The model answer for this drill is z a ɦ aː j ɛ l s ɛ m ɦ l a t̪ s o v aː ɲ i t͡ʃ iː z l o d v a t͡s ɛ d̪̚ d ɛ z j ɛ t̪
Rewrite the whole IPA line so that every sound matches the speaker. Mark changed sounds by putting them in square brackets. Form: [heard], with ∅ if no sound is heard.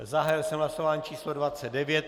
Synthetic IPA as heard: z a ɦ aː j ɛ l s ɛ m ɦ l a [∅] s o v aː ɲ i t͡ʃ iː [s] l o d v a t͡s ɛ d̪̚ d ɛ [v] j ɛ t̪